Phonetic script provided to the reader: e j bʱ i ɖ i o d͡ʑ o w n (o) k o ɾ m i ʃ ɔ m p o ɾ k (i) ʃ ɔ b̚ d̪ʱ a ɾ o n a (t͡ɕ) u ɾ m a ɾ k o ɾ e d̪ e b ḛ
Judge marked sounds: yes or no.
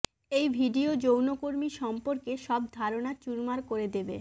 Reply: yes, no, yes

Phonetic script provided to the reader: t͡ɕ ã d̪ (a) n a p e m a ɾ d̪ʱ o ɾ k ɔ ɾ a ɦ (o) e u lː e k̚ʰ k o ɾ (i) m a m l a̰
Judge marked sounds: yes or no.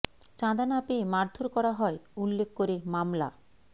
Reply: yes, no, no

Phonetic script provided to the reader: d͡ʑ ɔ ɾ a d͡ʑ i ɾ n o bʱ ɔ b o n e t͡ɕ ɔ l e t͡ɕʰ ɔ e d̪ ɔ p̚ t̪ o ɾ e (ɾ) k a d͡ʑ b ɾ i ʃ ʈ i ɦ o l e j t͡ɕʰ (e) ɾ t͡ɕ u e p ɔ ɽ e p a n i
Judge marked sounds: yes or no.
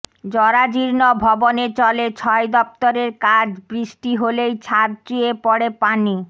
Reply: yes, no

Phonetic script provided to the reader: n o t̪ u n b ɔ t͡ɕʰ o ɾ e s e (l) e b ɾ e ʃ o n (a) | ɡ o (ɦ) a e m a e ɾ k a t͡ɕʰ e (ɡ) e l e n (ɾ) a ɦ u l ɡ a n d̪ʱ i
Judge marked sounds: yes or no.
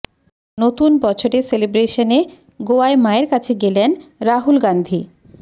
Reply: yes, no, no, yes, yes

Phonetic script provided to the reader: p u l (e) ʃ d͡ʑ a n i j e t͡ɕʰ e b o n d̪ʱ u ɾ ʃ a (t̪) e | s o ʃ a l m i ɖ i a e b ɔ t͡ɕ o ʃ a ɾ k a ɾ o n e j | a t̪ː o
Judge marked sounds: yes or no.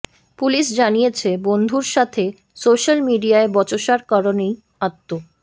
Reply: no, no

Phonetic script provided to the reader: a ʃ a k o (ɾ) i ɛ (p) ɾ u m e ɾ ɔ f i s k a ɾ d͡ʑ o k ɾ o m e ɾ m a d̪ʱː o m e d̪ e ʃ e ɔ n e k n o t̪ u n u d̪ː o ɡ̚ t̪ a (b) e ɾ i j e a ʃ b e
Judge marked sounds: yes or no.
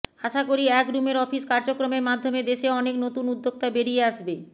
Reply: yes, no, yes

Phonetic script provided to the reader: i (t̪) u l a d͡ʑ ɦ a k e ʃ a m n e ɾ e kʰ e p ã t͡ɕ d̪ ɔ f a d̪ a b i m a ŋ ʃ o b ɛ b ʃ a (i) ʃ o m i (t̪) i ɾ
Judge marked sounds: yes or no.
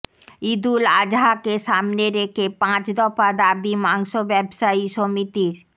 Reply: no, yes, yes

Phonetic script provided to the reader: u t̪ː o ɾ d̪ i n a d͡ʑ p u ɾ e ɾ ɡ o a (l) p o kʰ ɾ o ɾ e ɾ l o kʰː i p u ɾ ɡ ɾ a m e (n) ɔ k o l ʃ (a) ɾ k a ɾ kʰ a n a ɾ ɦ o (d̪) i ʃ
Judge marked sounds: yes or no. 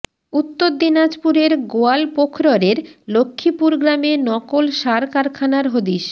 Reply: yes, yes, yes, yes

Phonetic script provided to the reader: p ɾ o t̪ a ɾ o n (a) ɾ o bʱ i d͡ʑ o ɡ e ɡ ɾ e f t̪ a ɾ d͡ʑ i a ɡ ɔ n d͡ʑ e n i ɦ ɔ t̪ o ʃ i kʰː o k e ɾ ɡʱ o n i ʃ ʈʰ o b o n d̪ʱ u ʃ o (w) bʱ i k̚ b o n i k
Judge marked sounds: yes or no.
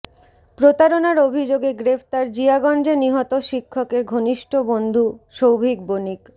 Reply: yes, yes

